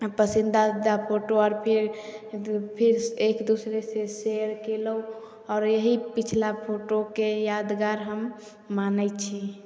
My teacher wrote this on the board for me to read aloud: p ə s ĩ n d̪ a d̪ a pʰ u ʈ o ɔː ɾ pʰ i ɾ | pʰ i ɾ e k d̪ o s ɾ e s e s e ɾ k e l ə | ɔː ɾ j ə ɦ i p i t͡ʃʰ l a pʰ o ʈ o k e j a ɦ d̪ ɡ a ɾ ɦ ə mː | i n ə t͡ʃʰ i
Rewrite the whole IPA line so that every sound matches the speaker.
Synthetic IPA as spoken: p ə s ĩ n d̪ a d̪ a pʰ o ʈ o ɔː ɾ pʰ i ɾ | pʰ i ɾ e k d̪ u s ɾ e s e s e ɾ k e l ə | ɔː ɾ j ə ɦ i p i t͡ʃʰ l a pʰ o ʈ o k e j a d̪ ɡ a ɾ ɦ ə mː | a n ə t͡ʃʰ i